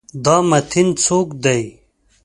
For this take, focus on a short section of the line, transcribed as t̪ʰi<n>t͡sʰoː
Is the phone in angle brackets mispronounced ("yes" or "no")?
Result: no